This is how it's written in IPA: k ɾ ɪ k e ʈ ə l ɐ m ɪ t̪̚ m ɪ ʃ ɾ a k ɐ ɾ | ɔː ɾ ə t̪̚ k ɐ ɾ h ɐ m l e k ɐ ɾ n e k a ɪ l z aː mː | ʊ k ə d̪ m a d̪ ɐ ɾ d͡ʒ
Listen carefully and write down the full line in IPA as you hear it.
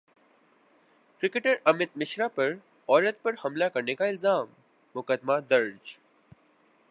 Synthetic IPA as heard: k ɾ ɪ k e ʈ ə ɾ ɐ m ɪ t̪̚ m ɪ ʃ ɾ a p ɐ ɾ | ɔː ɾ ə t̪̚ p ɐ ɾ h ɐ m l a k ɐ ɾ n e k a ɪ l z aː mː | ʊ k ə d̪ m a d̪ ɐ ɾ d͡ʒ